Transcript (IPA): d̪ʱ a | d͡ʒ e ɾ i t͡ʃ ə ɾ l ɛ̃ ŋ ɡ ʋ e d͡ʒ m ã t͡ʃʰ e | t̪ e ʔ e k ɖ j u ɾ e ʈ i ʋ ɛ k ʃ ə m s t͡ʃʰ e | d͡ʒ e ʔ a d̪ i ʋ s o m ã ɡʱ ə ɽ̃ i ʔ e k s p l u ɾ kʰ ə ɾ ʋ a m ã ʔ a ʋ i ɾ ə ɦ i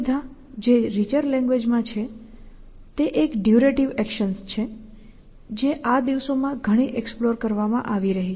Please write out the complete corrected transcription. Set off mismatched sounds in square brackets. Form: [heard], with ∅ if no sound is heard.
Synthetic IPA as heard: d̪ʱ a | d͡ʒ e ɾ i t͡ʃ ə ɾ l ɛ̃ ŋ ɡ ʋ e d͡ʒ m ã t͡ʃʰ e | t̪ e ʔ e k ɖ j u ɾ e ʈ i ʋ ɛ k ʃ ə [n] s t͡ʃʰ e | d͡ʒ e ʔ a d̪ i ʋ s o m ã ɡʱ ə ɽ̃ i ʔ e k s p l [o] ɾ [k] ə ɾ ʋ a m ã ʔ a ʋ i ɾ ə ɦ i